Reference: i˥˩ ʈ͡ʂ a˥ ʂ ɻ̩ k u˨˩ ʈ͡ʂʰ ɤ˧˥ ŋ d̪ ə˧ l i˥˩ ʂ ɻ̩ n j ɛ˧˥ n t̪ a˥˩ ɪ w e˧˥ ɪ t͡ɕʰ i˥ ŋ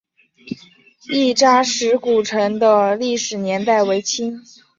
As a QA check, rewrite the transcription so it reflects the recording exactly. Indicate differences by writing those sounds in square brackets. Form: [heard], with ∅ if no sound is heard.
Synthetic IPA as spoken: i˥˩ ʈ͡ʂ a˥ ʂ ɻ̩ k u˨˩ ʈ͡ʂʰ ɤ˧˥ ŋ d̪ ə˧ l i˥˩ ʂ ɻ̩ n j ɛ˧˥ n t̪ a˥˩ ɪ w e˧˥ ɪ t͡ɕʰ i˥ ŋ